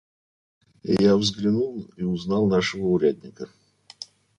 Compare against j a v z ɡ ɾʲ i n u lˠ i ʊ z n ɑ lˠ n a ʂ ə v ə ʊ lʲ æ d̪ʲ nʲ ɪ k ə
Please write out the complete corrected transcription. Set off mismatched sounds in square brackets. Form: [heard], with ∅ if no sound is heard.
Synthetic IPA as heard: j a v z ɡ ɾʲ [ɪ] n u lˠ i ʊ z n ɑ lˠ n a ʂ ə v ə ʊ [ɾʲ] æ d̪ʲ nʲ ɪ k ə